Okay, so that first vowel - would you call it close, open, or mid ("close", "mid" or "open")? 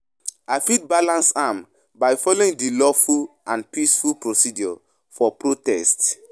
open